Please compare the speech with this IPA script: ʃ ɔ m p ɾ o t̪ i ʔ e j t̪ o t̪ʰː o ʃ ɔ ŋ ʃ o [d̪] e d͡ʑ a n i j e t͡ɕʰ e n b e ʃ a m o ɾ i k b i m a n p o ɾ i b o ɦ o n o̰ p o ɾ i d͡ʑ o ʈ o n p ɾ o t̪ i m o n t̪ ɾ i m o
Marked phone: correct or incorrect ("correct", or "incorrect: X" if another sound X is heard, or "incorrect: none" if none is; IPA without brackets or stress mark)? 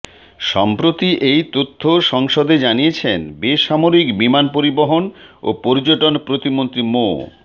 correct